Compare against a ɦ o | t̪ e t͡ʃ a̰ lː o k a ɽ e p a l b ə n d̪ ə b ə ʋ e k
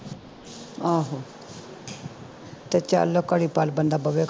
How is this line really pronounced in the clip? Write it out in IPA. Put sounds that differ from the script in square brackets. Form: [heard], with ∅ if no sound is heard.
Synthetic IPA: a ɦ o | t̪ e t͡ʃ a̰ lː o k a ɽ [i] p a l b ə n d̪ [a] b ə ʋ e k